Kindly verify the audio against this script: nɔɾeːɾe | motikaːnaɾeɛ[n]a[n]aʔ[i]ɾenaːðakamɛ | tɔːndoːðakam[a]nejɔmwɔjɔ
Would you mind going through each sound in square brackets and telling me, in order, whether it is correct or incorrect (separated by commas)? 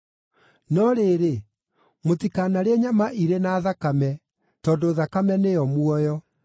incorrect, incorrect, correct, incorrect